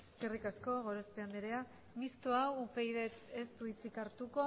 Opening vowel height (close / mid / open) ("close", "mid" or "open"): mid